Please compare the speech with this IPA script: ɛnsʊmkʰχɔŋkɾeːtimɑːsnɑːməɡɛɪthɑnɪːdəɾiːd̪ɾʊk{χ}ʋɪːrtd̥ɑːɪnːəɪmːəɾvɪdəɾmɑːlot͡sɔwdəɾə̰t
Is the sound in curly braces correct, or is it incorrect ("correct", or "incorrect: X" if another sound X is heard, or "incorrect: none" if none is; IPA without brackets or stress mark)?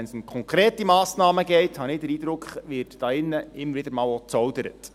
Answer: correct